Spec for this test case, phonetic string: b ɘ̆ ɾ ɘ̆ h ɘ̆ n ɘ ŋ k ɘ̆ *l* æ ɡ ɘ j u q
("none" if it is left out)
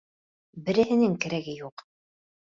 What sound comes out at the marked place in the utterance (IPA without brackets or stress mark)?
ɾ